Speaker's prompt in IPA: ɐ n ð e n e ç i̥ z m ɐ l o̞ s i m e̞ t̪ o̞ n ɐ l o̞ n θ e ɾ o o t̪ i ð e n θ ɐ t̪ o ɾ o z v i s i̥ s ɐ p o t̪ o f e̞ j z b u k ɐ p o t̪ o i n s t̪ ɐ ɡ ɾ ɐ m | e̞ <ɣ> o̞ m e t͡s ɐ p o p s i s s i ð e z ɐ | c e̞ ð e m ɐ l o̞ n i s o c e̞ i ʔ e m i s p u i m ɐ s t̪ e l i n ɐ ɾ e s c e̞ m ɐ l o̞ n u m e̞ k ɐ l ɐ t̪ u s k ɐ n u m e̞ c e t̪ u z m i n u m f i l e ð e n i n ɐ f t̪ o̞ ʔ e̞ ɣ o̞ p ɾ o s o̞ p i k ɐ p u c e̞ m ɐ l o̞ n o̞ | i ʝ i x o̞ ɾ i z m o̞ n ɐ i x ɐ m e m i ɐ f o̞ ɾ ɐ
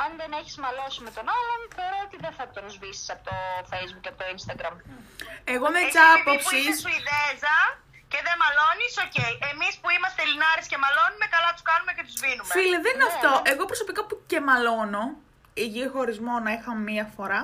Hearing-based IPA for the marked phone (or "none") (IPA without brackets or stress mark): ɣ